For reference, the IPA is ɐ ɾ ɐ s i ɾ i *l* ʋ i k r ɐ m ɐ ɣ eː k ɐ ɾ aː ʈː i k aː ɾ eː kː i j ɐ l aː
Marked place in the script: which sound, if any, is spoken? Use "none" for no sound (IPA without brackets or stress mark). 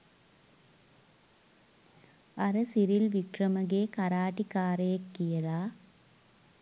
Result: l